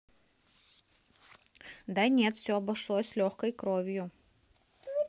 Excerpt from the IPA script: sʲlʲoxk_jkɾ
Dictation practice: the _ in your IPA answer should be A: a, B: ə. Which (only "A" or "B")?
B